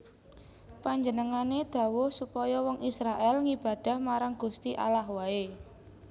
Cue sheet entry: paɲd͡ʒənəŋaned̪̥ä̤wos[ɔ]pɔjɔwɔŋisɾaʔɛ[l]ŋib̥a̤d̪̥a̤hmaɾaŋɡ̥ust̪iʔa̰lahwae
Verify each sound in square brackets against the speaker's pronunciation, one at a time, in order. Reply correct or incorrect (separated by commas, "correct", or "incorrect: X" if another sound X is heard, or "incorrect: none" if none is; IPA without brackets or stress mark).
incorrect: u, correct